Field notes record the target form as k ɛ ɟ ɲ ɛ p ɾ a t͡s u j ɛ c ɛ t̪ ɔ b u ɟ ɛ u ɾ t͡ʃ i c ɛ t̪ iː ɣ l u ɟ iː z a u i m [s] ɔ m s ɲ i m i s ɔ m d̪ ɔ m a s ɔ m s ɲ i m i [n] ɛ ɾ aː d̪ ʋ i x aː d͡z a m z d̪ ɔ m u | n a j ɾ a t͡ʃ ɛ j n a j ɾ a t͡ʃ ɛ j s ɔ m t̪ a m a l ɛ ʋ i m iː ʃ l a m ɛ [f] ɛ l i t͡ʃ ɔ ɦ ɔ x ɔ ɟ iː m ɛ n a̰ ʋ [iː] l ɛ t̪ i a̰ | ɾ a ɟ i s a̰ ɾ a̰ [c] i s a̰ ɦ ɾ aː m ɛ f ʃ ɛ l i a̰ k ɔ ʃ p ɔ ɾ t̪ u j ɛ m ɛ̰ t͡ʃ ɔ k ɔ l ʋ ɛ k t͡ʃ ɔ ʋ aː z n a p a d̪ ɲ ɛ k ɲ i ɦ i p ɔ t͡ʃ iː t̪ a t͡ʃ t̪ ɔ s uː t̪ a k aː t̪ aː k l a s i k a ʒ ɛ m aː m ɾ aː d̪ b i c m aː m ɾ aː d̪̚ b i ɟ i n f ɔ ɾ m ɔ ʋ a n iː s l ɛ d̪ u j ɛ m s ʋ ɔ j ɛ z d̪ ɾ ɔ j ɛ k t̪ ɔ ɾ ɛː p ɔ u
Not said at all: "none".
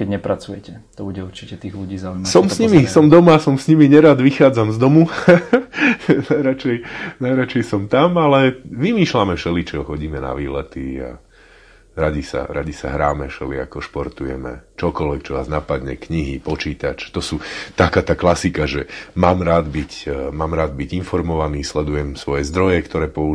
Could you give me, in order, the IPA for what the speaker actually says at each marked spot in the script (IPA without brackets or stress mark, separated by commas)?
s, ɲ, ʃ, iː, ɟ